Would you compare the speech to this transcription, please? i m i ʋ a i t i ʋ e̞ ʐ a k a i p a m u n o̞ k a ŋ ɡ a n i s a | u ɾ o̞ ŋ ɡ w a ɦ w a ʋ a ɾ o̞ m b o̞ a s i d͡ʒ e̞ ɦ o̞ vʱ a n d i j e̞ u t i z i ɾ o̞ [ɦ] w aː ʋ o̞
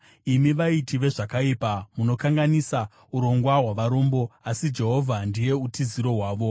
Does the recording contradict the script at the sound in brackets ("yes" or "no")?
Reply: no